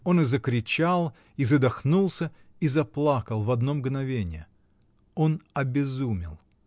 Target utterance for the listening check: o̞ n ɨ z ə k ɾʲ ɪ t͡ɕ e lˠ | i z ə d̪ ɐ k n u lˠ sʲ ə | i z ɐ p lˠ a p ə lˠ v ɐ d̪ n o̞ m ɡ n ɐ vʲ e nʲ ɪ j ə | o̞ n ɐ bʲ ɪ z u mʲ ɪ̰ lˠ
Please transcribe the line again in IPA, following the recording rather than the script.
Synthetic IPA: o̞ n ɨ z ə k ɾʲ ɪ t͡ɕ a lˠ | i z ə d̪ ɐ x n u lˠ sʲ ə | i z ɐ p lˠ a k ə lˠ v ɐ d̪ n o̞ m ɡ n ɐ vʲ e nʲ ɪ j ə | o̞ n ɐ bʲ ɪ z u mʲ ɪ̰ lˠ